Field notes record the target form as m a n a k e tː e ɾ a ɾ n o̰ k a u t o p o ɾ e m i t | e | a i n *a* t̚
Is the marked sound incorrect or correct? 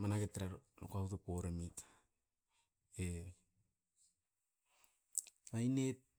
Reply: incorrect